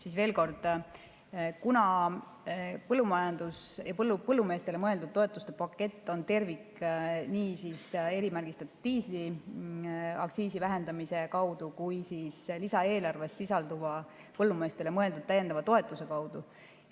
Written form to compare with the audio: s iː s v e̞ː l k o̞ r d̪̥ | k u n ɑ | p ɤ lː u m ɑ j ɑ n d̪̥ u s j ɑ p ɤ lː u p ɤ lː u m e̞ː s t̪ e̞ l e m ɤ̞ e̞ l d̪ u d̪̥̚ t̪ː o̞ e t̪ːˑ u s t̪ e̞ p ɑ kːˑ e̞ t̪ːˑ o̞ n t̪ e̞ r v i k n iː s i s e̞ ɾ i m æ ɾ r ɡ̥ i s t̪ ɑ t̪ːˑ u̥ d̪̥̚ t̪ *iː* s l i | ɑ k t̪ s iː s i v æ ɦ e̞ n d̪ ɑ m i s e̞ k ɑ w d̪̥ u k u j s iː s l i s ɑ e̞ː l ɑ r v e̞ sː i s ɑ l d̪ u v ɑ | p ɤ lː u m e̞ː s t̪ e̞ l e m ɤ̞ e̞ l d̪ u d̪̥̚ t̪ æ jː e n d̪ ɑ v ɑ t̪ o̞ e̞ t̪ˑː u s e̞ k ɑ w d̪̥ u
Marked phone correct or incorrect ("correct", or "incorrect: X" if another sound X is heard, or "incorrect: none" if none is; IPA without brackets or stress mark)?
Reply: correct